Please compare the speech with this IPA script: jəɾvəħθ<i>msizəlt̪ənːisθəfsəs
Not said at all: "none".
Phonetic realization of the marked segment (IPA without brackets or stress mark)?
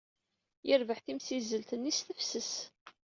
i